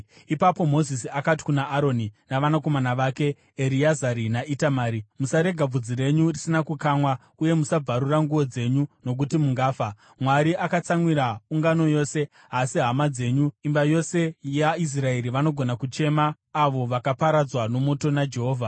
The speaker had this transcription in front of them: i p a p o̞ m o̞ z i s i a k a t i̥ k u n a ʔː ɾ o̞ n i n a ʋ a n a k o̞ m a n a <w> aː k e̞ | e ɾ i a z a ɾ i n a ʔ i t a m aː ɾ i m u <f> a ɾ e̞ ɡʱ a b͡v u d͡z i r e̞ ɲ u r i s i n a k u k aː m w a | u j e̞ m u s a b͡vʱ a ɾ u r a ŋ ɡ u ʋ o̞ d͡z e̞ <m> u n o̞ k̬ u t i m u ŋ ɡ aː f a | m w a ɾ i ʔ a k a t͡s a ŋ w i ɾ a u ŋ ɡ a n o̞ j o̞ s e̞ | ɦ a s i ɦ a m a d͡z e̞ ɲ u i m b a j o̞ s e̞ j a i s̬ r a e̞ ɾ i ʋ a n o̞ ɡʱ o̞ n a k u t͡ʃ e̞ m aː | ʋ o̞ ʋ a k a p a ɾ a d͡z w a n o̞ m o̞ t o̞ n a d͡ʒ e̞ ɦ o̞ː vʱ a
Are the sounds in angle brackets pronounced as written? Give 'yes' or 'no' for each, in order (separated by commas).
no, no, no